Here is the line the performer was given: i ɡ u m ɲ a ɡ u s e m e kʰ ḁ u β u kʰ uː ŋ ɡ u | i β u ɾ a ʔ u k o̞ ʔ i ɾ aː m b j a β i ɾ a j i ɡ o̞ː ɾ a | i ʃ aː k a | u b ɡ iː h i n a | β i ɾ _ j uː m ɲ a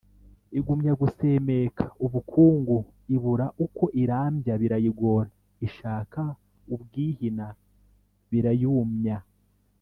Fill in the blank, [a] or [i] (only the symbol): a